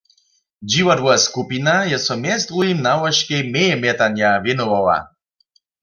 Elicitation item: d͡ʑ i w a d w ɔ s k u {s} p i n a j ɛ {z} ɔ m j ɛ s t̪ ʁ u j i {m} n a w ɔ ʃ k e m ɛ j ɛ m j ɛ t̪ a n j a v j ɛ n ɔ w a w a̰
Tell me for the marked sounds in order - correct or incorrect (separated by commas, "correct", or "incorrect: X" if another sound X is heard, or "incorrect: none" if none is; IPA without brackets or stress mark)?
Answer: incorrect: none, incorrect: s, correct